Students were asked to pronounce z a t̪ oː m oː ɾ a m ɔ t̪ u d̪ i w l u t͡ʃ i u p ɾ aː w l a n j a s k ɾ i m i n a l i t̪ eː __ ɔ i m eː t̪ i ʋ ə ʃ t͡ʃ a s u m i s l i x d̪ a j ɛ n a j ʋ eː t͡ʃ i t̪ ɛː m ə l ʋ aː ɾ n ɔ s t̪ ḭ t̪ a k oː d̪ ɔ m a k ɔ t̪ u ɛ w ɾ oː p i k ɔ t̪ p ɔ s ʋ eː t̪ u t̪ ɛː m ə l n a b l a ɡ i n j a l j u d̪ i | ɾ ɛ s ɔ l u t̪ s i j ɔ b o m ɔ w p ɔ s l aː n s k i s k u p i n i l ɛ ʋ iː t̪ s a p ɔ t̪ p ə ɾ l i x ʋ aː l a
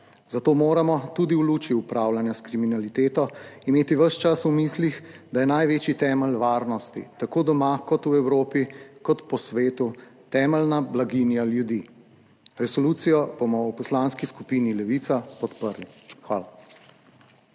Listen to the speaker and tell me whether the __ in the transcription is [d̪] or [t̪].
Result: t̪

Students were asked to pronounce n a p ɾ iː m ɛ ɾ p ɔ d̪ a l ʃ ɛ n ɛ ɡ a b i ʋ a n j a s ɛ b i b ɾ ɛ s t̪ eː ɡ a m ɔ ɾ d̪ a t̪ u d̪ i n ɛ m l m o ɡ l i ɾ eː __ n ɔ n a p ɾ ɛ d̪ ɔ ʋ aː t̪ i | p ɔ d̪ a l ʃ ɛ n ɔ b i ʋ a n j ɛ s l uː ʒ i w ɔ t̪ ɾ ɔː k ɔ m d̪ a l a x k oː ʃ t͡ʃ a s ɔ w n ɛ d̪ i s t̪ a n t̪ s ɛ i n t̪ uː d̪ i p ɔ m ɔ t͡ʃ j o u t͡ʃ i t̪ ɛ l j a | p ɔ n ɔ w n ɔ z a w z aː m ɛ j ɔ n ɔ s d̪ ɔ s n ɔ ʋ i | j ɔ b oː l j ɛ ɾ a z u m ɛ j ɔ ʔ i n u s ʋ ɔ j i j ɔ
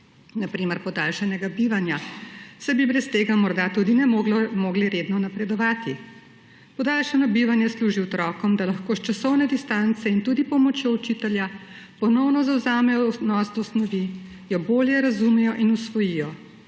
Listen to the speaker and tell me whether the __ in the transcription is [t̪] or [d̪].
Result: d̪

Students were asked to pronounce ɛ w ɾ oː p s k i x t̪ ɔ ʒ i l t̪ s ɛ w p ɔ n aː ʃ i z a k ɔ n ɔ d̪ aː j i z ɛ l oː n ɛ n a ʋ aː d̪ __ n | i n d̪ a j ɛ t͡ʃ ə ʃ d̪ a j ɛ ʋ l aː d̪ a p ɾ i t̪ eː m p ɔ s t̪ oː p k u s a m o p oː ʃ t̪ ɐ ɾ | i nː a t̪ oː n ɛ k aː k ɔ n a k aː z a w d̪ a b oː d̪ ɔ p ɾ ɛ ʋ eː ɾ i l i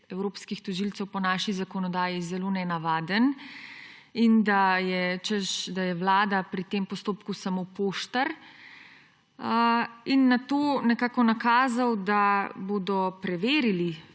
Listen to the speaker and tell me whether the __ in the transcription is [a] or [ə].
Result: ə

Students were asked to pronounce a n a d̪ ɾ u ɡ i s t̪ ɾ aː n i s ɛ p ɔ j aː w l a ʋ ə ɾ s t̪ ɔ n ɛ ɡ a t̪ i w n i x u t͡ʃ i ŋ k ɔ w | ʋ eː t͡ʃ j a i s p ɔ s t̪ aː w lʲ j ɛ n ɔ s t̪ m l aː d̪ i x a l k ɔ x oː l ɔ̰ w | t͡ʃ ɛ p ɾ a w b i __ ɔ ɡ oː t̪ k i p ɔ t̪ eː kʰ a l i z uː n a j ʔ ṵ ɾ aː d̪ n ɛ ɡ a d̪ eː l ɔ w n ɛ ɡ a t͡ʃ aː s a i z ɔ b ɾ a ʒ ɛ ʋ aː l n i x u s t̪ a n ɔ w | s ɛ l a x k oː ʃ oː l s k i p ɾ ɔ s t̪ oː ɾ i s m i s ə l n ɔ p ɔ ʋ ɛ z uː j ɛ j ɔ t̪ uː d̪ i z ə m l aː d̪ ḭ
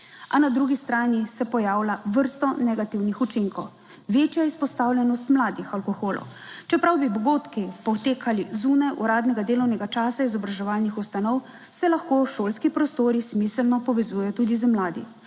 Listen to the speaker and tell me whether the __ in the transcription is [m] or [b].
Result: b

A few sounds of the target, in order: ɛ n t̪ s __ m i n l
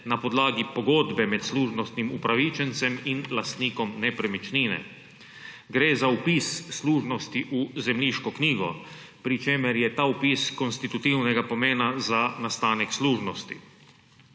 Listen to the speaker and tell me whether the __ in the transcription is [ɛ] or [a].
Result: ɛ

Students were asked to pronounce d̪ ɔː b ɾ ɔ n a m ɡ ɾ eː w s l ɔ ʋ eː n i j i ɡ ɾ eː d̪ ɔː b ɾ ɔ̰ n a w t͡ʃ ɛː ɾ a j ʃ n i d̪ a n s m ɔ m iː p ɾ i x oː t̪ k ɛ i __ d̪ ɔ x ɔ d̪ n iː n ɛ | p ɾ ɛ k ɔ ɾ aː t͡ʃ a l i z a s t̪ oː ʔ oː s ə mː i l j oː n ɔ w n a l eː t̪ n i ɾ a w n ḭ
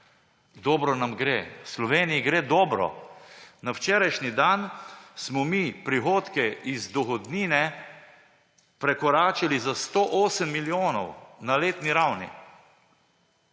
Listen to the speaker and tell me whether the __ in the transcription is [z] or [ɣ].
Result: z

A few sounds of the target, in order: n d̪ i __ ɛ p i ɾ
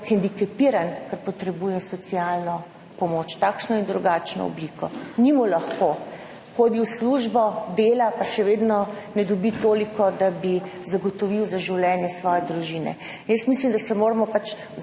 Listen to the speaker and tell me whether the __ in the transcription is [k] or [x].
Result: k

